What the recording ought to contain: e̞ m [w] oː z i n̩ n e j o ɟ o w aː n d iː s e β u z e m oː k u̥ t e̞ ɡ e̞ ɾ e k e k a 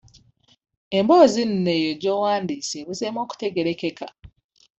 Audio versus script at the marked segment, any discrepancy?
yes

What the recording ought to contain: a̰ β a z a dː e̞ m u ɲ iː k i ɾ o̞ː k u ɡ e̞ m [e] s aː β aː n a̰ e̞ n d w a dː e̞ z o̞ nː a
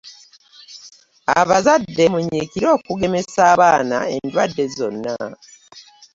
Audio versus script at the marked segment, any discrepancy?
no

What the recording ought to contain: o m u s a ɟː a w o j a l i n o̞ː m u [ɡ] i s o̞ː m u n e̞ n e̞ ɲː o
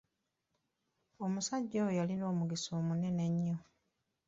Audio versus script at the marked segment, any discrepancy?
no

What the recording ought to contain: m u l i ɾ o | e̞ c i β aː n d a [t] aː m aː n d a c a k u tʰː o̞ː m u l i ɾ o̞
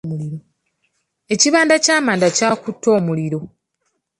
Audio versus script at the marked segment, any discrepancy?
yes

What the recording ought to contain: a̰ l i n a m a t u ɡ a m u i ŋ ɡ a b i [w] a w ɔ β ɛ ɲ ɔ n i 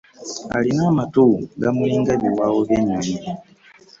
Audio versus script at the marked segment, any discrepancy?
no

